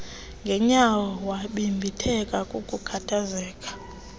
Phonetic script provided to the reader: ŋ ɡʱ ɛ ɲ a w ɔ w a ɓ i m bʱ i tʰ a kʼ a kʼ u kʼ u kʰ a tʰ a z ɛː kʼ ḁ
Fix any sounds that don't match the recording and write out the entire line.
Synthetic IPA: ŋ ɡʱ ɛ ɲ a w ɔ w a ɓ i m bʱ i tʰ ɛ kʼ a kʼ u kʼ u kʰ a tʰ a z ɛː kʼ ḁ